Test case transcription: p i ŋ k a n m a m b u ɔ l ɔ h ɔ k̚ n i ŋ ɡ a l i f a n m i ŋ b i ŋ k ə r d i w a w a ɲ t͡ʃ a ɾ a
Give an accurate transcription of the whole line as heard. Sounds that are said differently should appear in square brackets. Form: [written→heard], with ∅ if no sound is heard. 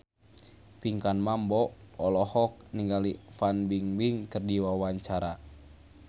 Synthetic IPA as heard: p i ŋ k a n m a m b [u→ɔ] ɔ l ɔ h ɔ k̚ n i ŋ ɡ a l i f a n [m→b] i ŋ b i ŋ k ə r d i w a w a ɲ t͡ʃ a ɾ a